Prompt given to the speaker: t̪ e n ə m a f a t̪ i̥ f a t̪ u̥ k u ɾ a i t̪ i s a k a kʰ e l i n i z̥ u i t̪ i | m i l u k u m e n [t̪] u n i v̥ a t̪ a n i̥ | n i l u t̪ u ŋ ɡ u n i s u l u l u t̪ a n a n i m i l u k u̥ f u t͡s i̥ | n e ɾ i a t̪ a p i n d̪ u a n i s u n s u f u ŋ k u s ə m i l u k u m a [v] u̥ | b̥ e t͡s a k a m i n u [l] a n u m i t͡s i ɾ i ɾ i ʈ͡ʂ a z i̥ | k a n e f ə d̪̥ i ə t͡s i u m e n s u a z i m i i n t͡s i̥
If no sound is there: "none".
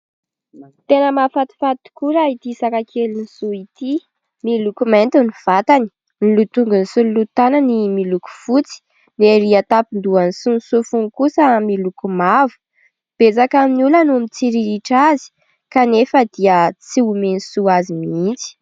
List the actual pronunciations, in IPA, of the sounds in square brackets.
t̪, v, l

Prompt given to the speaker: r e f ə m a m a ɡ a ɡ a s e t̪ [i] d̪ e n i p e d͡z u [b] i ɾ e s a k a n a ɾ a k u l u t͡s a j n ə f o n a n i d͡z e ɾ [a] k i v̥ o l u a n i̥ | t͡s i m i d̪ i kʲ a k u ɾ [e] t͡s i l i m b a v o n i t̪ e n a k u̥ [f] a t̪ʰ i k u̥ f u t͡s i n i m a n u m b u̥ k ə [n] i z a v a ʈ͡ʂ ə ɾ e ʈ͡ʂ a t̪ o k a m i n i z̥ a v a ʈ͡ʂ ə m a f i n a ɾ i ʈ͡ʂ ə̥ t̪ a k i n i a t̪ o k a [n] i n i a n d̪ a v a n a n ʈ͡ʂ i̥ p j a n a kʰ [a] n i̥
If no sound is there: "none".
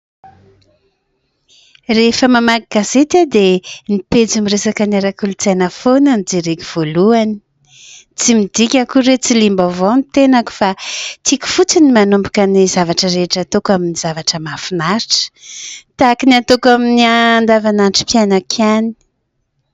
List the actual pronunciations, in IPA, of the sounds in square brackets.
a, m, e, e, f, n, m, a

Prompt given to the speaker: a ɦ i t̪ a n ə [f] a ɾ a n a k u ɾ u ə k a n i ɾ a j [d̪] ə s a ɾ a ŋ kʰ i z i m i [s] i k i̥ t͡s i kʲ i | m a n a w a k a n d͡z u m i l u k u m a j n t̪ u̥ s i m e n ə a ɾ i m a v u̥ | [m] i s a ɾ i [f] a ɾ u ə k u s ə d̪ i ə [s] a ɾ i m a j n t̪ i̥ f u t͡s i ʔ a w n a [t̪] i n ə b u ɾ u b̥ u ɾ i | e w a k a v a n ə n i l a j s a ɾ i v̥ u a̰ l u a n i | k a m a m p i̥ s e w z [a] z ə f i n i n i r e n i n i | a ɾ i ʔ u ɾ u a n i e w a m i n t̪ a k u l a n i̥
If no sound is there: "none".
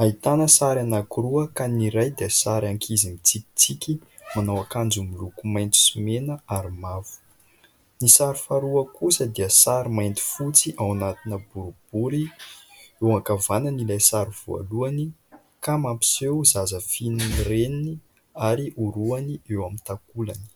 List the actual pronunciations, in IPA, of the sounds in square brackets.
s, d̪, t͡s, n, f, s, t̪, a

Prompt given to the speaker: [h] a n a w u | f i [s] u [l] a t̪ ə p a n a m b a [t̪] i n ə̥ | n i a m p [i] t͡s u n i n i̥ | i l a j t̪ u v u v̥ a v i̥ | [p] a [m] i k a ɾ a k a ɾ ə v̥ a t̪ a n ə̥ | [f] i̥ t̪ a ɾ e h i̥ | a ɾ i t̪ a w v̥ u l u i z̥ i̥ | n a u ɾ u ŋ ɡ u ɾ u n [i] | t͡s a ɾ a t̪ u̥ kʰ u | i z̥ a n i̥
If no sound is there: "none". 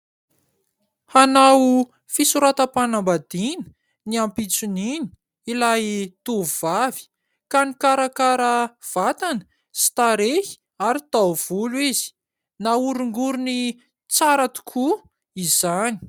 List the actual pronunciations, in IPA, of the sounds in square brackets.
h, s, ɾ, d̪, i, k, n, s, i

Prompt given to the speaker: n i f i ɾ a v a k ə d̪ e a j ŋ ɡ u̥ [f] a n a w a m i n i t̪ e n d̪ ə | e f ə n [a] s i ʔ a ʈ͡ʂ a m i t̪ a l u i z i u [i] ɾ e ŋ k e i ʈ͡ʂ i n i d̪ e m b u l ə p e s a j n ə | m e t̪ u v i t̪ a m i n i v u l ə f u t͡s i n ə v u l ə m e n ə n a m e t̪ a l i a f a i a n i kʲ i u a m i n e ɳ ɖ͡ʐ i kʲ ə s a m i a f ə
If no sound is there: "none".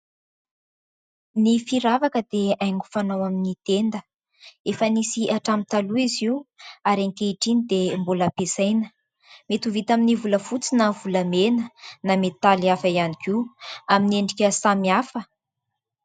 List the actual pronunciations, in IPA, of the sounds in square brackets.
f, i, a

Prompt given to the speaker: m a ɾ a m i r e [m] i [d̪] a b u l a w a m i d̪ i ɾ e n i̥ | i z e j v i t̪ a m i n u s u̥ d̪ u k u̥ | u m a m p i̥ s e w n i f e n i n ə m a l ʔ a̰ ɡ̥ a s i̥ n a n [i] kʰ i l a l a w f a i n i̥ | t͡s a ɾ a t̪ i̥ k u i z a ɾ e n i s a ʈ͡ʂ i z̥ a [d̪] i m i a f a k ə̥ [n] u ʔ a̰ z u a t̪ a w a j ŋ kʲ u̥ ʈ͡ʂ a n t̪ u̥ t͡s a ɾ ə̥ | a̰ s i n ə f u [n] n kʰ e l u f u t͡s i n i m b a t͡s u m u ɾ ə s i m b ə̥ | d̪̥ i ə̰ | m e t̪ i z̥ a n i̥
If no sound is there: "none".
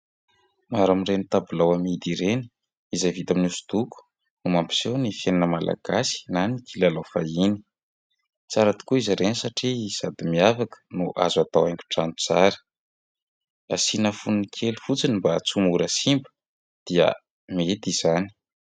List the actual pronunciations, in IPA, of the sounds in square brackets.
n, t̪, i, d̪, n, n

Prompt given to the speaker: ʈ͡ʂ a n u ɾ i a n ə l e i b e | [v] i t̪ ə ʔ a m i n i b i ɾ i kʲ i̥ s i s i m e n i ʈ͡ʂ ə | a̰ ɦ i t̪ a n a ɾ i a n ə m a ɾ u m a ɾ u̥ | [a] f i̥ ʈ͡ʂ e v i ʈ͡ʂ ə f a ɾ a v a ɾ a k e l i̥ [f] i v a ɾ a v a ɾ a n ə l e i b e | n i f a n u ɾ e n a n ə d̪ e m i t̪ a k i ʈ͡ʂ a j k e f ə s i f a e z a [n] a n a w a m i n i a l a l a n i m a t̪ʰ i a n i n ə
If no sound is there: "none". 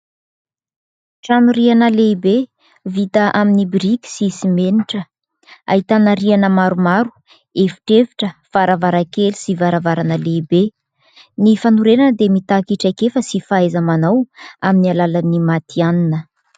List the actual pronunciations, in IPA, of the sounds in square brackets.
v, e, s, m

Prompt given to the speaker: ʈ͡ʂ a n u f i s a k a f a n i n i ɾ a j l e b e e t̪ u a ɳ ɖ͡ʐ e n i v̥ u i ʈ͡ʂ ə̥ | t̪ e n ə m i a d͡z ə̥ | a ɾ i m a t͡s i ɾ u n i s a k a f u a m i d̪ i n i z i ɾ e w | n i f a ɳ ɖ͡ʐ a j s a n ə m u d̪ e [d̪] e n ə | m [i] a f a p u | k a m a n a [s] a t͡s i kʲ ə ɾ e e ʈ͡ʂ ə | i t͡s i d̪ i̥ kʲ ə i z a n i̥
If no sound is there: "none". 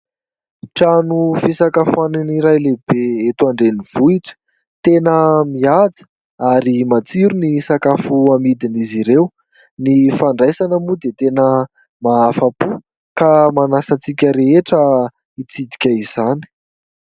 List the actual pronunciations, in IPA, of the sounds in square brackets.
t̪, a, s

